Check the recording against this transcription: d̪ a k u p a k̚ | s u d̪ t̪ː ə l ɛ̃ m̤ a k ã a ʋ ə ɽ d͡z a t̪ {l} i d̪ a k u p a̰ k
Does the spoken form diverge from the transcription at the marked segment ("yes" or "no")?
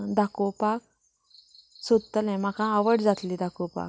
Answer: no